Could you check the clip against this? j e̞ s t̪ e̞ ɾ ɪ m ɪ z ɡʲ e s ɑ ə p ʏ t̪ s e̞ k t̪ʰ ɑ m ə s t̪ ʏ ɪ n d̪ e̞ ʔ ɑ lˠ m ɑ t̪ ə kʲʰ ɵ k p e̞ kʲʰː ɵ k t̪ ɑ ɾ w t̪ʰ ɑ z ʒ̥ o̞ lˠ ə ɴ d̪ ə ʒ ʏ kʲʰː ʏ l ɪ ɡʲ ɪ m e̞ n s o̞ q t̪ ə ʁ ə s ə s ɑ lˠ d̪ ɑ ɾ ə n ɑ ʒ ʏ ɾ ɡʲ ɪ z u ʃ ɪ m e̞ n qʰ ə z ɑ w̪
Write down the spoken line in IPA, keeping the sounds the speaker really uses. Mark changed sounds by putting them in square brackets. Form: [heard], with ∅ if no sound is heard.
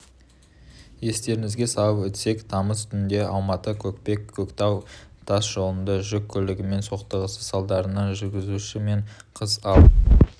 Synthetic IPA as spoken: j e̞ s t̪ e̞ ɾ ɪ [ŋ] ɪ z ɡʲ e s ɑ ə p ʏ t̪ s e̞ k t̪ʰ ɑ m ə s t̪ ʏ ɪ n d̪ e̞ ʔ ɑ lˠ m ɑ t̪ ə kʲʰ ɵ k p e̞ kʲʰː ɵ k t̪ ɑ [∅] w t̪ʰ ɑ [s] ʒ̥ o̞ lˠ ə [n] d̪ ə ʒ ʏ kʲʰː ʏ l ɪ ɡʲ ɪ m e̞ n s o̞ q t̪ ə ʁ ə s ə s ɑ lˠ d̪ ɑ ɾ ə n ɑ ʒ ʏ ɾ ɡʲ ɪ z u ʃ ɪ m e̞ [ɴ] qʰ ə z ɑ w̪